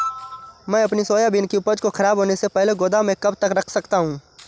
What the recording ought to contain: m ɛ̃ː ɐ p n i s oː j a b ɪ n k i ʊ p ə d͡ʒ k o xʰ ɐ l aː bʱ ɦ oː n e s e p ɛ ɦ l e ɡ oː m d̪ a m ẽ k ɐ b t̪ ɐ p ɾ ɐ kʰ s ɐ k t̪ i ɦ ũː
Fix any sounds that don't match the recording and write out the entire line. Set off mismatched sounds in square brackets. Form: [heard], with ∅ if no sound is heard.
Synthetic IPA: m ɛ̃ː ɐ p n i s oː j a b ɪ n k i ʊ p ə d͡ʒ k o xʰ ɐ [ɾ] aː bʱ ɦ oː n e s e p ɛ ɦ l e ɡ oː [∅] d̪ a m ẽ k ɐ b t̪ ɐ [k] ɾ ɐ kʰ s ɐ k t̪ [a] ɦ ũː